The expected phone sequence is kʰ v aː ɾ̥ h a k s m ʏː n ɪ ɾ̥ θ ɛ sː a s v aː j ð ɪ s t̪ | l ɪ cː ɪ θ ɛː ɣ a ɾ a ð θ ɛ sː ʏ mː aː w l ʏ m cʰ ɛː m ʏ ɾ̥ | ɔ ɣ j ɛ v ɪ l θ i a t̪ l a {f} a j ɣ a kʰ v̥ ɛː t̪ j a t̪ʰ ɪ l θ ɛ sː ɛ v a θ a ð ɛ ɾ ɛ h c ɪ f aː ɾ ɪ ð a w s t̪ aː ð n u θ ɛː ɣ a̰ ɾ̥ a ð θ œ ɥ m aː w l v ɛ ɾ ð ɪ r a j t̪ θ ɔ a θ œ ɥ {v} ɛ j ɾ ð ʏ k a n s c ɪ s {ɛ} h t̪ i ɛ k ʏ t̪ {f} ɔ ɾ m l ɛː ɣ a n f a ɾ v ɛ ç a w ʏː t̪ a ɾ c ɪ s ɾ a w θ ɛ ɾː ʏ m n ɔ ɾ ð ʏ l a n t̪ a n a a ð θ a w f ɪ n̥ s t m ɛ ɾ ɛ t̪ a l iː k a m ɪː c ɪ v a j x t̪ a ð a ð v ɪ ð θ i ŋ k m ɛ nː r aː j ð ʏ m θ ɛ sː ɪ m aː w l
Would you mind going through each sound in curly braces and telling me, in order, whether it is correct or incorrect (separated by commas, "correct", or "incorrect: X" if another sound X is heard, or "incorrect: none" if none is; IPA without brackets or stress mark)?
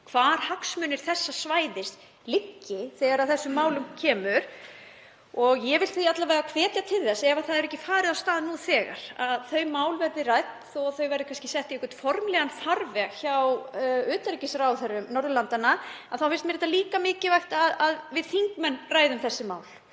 incorrect: v, correct, correct, correct